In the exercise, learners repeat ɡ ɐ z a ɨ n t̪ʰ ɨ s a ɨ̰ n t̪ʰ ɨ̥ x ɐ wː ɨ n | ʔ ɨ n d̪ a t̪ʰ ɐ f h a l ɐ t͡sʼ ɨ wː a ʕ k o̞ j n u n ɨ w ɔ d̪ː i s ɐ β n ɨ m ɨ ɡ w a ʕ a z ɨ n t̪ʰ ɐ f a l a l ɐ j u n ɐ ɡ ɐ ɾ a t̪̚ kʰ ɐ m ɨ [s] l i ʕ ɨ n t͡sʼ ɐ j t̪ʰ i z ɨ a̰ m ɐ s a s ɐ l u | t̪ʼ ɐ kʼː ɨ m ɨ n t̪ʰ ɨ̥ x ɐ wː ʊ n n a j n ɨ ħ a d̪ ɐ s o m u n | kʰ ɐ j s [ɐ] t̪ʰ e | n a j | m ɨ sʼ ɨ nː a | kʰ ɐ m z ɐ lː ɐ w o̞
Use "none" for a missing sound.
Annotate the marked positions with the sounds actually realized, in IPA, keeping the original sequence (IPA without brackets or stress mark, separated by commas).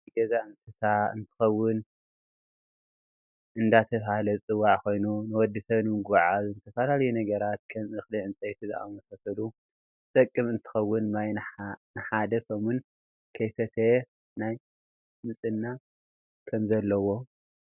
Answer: x, ɐ